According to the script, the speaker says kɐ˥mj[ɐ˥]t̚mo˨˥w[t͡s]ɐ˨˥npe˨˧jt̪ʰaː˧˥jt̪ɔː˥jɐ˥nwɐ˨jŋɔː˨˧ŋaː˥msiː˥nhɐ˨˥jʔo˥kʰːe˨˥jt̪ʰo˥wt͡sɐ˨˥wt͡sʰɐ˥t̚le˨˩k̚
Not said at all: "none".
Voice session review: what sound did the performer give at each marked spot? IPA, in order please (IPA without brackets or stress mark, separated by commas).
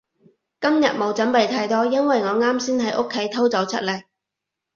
ɐ˨, t͡s